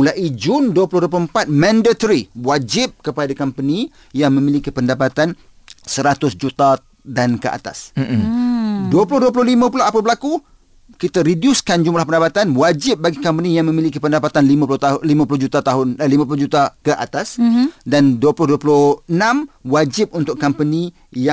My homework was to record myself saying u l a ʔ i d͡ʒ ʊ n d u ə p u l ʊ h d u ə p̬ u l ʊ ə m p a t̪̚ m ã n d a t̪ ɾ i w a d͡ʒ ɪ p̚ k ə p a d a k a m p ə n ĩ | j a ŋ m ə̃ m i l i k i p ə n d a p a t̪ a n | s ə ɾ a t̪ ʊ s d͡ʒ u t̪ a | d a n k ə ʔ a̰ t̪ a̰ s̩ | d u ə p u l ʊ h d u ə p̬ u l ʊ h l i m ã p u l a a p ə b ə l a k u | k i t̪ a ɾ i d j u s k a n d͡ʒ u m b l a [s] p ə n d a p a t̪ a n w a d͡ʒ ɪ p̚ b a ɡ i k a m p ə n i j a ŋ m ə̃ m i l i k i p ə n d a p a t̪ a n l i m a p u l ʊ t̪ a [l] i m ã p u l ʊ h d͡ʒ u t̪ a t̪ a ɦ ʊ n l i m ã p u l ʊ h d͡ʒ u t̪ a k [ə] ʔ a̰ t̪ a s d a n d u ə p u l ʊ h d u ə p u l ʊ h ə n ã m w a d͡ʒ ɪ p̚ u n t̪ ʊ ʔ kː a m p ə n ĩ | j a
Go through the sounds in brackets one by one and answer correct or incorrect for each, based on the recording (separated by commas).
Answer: incorrect, correct, correct